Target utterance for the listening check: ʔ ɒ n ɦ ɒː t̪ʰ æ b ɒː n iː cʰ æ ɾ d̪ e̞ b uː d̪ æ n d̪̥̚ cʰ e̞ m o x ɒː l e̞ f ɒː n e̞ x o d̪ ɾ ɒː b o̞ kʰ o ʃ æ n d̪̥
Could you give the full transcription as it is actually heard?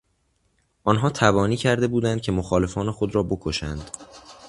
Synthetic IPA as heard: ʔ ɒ n ɦ ɒː t̪ʰ æ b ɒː n iː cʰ æ ɾ d̪ e̞ b uː d̪ æ n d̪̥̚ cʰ e̞ m o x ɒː l e̞ f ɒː n e̞ x o d̪ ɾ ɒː b o̞ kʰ o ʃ æ n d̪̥